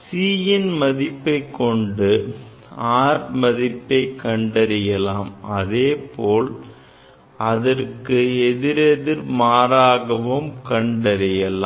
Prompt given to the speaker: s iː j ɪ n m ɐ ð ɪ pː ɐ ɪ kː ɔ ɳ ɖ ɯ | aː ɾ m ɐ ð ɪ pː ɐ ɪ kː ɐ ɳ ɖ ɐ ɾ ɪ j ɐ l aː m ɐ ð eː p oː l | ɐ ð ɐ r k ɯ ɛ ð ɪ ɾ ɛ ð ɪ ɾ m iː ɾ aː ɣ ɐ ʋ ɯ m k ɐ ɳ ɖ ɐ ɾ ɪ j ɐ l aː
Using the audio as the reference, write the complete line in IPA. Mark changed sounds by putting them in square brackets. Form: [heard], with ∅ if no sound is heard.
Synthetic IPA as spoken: s iː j ɪ n m ɐ ð ɪ pː ɐ ɪ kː ɔ ɳ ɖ ɯ | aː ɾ m ɐ ð ɪ pː ɐ ɪ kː ɐ ɳ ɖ ɐ ɾ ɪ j ɐ l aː m ɐ ð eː p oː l | ɐ ð ɐ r k ɯ ɛ ð ɪ ɾ ɛ ð ɪ ɾ m [aː] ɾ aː ɣ ɐ ʋ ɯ m k ɐ ɳ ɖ ɐ ɾ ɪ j ɐ l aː